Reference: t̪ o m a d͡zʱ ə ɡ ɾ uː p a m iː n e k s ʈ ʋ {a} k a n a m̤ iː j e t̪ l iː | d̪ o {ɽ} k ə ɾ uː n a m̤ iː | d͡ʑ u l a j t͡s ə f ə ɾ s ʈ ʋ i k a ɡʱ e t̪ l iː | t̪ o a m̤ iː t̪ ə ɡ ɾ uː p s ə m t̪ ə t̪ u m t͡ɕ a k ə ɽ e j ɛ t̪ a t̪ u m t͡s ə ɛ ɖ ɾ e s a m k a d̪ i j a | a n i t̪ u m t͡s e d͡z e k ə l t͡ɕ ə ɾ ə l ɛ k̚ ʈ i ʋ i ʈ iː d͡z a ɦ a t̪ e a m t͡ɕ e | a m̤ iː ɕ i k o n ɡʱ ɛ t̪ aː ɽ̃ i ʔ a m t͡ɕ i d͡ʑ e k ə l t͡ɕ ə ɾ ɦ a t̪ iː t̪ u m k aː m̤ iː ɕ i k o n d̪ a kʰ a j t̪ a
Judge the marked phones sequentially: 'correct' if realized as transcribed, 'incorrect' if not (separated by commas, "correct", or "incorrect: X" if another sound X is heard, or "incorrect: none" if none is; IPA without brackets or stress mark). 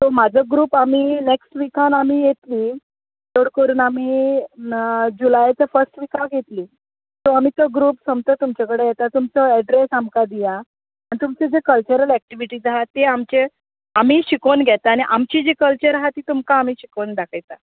incorrect: i, correct